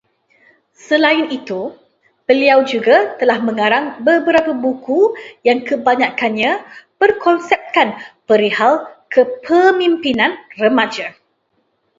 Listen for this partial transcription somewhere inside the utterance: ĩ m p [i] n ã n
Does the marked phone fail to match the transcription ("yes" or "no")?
no